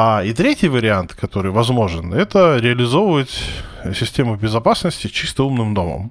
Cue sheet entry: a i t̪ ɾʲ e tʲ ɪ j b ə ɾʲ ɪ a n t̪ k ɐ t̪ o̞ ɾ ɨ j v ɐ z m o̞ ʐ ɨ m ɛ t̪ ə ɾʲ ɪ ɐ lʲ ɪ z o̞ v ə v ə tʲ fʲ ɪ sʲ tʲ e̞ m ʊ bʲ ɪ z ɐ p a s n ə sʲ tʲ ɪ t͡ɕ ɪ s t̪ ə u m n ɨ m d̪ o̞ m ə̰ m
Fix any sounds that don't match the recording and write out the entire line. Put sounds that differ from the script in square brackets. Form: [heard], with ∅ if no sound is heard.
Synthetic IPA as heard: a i t̪ ɾʲ e tʲ ɪ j [v] ə ɾʲ ɪ a n t̪ k ɐ t̪ o̞ ɾ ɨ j v ɐ z m o̞ ʐ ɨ [n] ɛ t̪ ə ɾʲ ɪ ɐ lʲ ɪ z o̞ v ə v ə tʲ [sʲ] ɪ sʲ tʲ e̞ m ʊ bʲ ɪ z ɐ p a s n ə sʲ tʲ ɪ t͡ɕ [i] s t̪ ə u m n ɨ m d̪ o̞ m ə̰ m